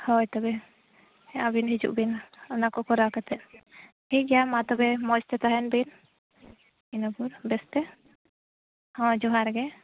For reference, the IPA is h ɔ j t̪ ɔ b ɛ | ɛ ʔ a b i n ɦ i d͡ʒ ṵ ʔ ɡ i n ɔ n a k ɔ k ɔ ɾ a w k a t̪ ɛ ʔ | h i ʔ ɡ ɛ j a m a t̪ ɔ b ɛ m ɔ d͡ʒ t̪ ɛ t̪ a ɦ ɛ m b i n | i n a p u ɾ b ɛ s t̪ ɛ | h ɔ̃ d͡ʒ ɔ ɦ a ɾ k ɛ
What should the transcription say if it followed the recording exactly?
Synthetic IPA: h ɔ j t̪ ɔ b ɛ | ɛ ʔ a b i n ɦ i d͡ʒ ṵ ʔ b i n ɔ n a k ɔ k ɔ ɾ a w k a t̪ ɛ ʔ | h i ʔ ɡ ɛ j a m a t̪ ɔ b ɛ m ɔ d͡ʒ t̪ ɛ t̪ a ɦ ɛ n b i n | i n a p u ɾ b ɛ s t̪ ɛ | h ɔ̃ d͡ʒ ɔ ɦ a ɾ ɡ ɛ